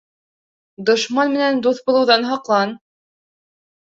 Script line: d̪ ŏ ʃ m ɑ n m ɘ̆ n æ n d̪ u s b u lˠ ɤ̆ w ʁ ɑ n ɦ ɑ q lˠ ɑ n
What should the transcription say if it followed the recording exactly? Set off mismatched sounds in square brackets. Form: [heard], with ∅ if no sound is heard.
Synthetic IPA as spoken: d̪ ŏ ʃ m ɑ n m ɘ̆ n æ n d̪ u [θ] b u lˠ ɤ̆ w [ð] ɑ n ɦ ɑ q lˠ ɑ n